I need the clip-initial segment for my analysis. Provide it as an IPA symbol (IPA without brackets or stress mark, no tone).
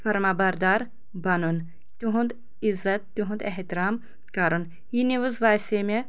f